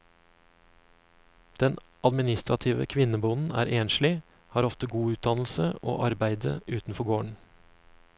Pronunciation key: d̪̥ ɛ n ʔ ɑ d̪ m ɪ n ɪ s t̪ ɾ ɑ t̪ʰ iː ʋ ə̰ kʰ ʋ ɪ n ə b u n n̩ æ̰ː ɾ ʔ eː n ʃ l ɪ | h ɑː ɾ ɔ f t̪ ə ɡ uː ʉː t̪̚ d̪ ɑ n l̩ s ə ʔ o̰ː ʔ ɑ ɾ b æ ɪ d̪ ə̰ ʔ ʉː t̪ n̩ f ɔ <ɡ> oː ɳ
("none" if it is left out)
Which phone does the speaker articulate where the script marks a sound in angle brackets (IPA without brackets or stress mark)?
ɡ